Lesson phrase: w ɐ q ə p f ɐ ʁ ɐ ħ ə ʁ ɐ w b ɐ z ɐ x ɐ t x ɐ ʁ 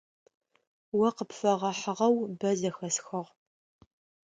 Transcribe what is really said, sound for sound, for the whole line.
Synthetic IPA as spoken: w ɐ q ə p f ɐ ʁ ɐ ħ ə ʁ ɐ w b ɐ z ɐ x ɐ s x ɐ ʁ